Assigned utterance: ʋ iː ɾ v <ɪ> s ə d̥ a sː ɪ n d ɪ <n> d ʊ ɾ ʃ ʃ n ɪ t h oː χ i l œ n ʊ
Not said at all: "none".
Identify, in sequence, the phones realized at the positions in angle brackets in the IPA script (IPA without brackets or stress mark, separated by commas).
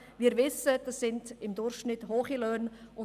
ɪ, m